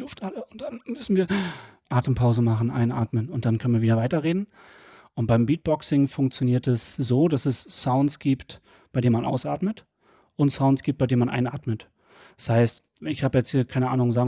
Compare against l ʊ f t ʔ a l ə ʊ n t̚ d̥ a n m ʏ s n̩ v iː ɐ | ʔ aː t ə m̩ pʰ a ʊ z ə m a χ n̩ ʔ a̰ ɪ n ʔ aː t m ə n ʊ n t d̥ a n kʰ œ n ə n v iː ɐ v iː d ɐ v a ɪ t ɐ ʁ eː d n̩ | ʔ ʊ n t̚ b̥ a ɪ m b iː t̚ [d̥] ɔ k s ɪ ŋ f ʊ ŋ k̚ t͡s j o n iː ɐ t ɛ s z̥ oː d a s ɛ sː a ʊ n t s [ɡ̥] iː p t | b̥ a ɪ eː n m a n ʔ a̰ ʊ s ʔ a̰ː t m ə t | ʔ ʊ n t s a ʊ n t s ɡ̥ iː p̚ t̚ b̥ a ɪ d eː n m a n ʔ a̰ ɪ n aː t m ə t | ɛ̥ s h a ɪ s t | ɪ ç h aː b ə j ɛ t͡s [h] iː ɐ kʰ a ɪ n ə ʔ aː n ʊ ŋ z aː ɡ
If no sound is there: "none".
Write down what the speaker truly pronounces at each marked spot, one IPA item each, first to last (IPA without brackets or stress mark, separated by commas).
b̥, ɡ̥, h